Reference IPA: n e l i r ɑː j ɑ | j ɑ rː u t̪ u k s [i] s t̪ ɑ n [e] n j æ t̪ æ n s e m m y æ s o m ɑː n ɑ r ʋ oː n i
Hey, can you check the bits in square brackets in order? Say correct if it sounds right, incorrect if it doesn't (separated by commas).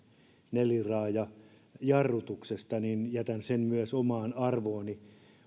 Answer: incorrect, incorrect